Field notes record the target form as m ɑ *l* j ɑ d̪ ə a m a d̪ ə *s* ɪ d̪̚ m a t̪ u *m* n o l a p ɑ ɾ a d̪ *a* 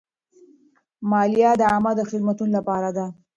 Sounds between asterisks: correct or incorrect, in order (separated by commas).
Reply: correct, incorrect, incorrect, correct